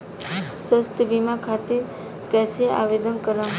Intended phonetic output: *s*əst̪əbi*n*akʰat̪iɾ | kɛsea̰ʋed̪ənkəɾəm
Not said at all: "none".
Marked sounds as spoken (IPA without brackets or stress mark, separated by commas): s, m